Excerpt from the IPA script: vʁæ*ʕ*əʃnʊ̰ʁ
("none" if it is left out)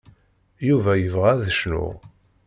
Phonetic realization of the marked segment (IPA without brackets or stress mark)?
ð